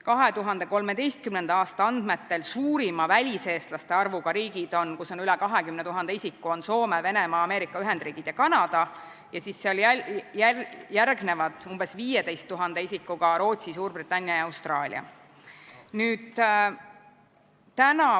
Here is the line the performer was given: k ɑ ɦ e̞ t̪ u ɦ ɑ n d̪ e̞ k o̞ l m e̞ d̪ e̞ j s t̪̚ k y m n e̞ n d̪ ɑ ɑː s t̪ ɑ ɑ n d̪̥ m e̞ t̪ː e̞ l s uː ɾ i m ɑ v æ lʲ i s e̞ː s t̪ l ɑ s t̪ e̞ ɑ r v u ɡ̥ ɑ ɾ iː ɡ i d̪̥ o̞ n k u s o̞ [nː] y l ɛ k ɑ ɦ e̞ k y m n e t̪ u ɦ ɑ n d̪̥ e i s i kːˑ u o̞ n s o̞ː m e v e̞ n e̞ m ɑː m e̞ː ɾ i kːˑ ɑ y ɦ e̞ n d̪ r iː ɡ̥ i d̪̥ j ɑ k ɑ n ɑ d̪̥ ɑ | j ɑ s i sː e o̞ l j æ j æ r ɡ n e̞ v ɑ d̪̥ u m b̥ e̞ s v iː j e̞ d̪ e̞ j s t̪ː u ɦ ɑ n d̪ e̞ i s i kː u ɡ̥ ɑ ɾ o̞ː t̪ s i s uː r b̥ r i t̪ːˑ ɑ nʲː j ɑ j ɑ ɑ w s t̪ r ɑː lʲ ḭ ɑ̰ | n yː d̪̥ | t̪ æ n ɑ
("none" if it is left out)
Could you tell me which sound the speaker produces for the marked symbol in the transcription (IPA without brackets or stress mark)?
n